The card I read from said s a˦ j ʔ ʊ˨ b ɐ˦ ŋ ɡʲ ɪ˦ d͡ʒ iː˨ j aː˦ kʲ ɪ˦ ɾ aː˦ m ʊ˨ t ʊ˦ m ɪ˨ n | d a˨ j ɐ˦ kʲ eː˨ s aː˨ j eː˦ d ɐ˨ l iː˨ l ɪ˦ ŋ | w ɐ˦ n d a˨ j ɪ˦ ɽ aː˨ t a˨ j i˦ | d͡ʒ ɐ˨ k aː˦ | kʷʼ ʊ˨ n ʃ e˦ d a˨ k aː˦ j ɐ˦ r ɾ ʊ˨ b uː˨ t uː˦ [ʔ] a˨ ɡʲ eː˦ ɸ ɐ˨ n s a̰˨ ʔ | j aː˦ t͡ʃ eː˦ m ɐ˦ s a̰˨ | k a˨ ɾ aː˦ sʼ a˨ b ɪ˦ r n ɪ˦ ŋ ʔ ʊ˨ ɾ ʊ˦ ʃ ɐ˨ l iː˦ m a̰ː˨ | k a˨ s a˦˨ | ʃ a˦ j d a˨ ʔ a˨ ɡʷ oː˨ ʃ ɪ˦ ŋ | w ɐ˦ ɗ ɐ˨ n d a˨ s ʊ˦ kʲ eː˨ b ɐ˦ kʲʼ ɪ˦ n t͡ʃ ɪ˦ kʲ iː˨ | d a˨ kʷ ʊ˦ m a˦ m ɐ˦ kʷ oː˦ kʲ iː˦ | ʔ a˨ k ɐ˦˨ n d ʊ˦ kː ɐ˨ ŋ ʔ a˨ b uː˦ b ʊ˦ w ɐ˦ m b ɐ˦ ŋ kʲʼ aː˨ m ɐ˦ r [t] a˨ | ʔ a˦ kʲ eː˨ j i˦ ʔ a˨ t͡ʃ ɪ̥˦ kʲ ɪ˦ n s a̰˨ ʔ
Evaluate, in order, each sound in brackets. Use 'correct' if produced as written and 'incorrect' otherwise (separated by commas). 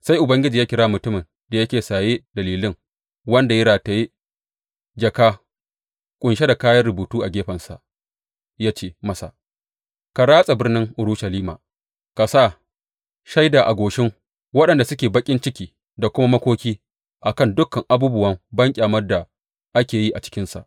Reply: correct, incorrect